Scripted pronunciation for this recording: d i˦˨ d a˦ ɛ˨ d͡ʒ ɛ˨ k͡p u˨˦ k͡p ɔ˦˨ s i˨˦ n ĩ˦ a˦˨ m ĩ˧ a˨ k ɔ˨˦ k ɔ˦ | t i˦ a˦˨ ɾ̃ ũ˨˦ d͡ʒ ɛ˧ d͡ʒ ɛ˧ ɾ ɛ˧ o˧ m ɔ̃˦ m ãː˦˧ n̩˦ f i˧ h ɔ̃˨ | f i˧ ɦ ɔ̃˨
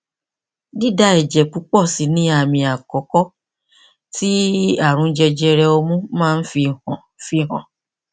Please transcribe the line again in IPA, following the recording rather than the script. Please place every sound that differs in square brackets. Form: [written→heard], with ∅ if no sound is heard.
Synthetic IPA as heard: d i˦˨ d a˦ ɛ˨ d͡ʒ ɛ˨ k͡p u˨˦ k͡p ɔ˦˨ s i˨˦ n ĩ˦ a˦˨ m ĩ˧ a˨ k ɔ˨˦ k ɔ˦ | t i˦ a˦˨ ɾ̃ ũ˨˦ d͡ʒ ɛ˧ d͡ʒ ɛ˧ ɾ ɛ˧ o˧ m [ɔ̃˦→ũ˦] m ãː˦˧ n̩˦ f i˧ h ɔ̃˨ | f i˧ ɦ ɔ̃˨